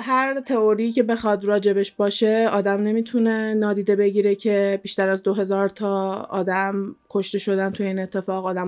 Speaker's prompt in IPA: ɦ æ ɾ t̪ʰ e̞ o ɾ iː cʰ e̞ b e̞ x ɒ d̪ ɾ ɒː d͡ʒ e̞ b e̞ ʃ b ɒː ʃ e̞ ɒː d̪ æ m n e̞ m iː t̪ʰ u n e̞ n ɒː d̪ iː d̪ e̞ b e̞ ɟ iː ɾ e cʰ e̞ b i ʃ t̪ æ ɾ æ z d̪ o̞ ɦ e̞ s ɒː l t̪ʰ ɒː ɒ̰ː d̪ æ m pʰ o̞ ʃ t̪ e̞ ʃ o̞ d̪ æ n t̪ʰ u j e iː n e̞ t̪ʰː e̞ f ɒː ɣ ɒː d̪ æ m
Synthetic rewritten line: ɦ æ ɾ t̪ʰ e̞ o ɾ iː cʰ e̞ b e̞ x ɒ d̪ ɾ ɒː d͡ʒ e̞ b e̞ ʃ b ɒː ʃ e̞ ɒː d̪ æ m n e̞ m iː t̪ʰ u n e̞ n ɒː d̪ iː d̪ e̞ b e̞ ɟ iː ɾ e cʰ e̞ b i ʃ t̪ æ ɾ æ z d̪ o̞ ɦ e̞ z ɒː ɾ t̪ʰ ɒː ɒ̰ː d̪ æ m kʰ o̞ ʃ t̪ e̞ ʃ o̞ d̪ æ n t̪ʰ u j e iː n e̞ t̪ʰː e̞ f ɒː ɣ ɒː d̪ æ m